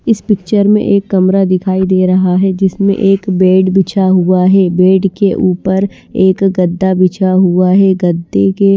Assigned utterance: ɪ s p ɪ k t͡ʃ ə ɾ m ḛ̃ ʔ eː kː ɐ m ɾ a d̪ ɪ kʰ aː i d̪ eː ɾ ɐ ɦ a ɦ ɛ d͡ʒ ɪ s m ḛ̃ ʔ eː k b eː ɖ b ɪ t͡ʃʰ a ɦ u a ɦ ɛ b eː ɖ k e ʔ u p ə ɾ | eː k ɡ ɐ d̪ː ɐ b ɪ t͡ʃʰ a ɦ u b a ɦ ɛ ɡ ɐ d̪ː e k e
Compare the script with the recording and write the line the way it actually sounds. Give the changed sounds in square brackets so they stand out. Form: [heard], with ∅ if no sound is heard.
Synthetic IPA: ɪ s p ɪ k t͡ʃ ə ɾ m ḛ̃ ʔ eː kː ɐ m ɾ a d̪ ɪ kʰ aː i d̪ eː ɾ ɐ ɦ a ɦ ɛ d͡ʒ ɪ s m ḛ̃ ʔ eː k b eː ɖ b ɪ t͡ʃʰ a ɦ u a ɦ ɛ b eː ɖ k e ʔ [uː] p ə ɾ | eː k ɡ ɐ d̪ː [a] b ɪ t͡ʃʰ a ɦ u [∅] a ɦ ɛ ɡ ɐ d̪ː e k e